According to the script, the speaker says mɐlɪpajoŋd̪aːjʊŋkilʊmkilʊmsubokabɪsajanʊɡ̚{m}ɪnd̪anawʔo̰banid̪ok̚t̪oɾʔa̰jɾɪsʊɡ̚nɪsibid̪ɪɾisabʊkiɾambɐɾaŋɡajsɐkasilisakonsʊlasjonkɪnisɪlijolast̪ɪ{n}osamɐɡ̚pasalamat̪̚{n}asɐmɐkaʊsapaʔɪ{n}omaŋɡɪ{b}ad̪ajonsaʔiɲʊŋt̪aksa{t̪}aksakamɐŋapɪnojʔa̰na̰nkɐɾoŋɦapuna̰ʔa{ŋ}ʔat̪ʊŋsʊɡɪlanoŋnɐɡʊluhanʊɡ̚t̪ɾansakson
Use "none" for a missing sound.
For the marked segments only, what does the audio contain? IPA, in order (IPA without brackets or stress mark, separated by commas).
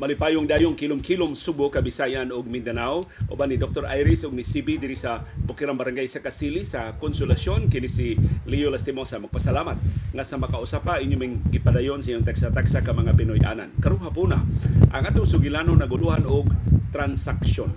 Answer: m, m, ŋ, ɲ, p, t̪, ŋ